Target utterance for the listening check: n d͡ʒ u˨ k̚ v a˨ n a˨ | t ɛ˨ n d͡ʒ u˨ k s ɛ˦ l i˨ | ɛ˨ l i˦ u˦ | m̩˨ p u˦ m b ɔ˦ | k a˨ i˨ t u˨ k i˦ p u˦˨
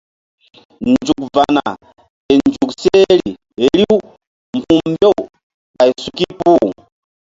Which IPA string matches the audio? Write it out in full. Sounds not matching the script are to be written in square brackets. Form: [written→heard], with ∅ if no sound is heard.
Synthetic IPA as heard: n d͡ʒ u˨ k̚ v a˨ n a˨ | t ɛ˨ n d͡ʒ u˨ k s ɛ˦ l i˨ | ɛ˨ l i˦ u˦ | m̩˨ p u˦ m b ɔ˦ | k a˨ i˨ [t→s] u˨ k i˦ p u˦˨